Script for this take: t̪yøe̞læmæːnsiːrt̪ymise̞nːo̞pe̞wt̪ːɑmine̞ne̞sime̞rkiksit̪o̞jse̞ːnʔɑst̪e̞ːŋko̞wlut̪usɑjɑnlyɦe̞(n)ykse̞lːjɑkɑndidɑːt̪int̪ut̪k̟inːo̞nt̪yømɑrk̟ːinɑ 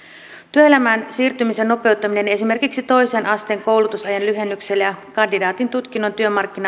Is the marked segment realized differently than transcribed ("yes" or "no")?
yes